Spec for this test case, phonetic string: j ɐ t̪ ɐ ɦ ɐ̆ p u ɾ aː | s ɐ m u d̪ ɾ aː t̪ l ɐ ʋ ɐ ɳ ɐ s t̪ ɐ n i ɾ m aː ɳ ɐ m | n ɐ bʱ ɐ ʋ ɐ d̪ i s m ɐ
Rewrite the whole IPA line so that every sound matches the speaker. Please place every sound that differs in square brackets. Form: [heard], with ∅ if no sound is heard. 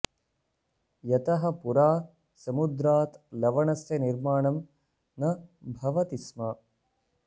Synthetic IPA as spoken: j ɐ t̪ ɐ ɦ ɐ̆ p u ɾ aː | s ɐ m u d̪ ɾ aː t̪ l ɐ ʋ ɐ ɳ ɐ s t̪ ɐ n i ɾ m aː ɳ ɐ m | n ɐ bʱ ɐ ʋ ɐ [t̪] i s m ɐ